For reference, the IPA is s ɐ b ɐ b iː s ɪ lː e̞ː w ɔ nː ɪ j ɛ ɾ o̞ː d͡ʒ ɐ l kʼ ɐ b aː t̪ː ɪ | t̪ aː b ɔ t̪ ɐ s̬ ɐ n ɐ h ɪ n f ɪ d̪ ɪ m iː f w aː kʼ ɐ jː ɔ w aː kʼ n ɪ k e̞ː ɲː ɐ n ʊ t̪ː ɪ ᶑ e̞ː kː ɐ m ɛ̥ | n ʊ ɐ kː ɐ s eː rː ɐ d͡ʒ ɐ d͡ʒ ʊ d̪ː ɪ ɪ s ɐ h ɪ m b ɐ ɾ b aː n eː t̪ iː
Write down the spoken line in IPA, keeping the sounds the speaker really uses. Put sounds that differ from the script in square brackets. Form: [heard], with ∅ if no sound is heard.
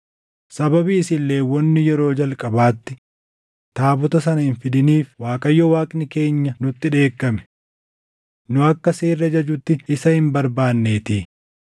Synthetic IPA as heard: s ɐ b ɐ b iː s ɪ lː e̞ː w ɔ nː ɪ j ɛ ɾ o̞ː d͡ʒ ɐ l kʼ ɐ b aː t̪ː ɪ | t̪ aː b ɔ t̪ ɐ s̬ ɐ n ɐ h ɪ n f ɪ d̪ ɪ [n] iː f w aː kʼ ɐ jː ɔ w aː kʼ n ɪ k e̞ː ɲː ɐ n ʊ t̪ː ɪ ᶑ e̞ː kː ɐ m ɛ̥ | n ʊ ɐ kː ɐ s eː rː ɐ d͡ʒ ɐ d͡ʒ ʊ [t̪ː] ɪ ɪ s ɐ h ɪ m b ɐ ɾ b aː [nː] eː t̪ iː